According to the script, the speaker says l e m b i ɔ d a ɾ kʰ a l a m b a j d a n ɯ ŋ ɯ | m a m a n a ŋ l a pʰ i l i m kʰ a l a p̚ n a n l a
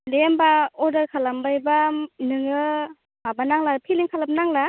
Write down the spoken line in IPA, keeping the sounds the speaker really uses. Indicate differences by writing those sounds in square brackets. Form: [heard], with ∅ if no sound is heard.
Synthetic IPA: l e m b [a] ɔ d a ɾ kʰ a l a m b a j [b] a n ɯ ŋ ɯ | m a [b] a n a ŋ l a pʰ i l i [ŋ] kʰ a l a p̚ n a [ŋ] l a